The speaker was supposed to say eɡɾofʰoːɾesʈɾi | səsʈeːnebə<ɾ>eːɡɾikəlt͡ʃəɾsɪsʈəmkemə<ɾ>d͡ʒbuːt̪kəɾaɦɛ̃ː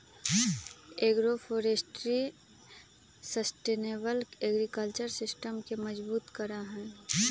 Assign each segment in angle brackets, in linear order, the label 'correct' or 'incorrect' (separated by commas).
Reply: incorrect, incorrect